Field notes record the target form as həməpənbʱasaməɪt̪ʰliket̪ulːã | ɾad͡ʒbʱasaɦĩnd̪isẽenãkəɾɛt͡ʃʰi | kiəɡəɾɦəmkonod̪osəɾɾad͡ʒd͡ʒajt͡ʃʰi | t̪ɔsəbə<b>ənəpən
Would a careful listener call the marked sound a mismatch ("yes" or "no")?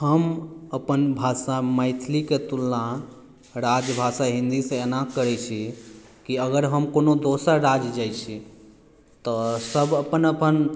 yes